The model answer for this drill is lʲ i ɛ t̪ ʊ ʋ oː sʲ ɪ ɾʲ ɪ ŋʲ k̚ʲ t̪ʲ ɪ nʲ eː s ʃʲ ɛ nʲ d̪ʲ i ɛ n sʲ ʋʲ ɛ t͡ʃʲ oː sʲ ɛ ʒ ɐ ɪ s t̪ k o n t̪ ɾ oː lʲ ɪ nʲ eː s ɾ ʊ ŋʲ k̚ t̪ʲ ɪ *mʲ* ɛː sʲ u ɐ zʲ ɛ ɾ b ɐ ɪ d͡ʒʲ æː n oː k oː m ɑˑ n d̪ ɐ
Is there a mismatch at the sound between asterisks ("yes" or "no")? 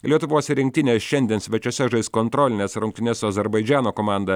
yes